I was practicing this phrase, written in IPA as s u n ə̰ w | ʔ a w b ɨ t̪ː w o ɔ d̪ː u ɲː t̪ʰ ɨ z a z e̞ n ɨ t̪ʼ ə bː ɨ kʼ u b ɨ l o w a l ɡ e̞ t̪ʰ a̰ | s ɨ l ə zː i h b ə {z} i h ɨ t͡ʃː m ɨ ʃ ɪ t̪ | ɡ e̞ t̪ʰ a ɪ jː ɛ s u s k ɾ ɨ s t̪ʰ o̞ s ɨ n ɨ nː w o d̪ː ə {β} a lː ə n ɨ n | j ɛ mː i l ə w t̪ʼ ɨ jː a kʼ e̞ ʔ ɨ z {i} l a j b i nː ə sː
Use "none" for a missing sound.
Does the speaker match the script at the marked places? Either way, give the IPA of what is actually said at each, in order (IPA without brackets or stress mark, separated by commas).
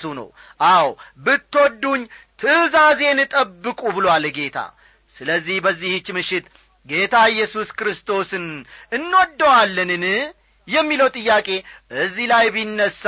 zː, w, i